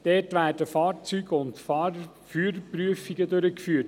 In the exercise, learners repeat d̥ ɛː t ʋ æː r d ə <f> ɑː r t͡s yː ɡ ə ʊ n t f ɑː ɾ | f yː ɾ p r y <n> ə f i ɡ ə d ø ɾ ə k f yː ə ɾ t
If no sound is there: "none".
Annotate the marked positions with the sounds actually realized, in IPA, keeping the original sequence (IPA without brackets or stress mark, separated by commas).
f, none